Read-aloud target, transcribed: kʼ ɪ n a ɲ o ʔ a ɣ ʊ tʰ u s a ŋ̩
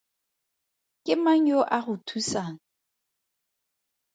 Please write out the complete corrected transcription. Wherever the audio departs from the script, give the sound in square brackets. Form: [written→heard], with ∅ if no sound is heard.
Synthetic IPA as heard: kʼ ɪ [n→m] a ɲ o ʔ a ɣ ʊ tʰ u s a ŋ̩